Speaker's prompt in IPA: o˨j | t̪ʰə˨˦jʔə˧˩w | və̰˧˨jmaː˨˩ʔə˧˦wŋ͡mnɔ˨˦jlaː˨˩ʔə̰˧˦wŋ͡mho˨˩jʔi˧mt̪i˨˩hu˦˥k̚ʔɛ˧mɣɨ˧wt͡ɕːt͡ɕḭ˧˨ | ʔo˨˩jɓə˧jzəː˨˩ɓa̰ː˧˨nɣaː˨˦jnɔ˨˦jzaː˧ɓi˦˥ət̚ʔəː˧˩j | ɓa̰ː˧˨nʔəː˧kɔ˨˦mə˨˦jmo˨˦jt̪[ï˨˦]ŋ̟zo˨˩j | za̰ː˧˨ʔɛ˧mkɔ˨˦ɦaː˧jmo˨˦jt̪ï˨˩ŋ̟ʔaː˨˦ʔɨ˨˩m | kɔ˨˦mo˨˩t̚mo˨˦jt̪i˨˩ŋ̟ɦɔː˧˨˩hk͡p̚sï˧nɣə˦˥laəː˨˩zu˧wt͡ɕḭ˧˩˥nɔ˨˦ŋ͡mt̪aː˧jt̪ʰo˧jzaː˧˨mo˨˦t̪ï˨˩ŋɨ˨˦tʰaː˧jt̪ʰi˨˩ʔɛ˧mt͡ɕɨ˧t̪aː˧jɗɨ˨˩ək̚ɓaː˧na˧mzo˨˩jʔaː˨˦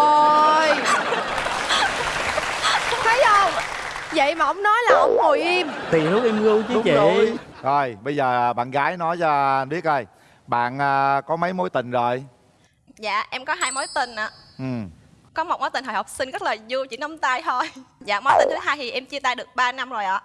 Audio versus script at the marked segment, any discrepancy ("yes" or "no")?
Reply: yes